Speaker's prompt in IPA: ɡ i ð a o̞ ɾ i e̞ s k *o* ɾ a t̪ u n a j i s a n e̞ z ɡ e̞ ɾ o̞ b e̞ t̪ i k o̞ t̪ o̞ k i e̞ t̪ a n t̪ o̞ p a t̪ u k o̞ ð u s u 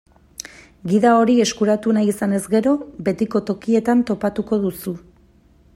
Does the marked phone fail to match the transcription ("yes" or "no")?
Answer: yes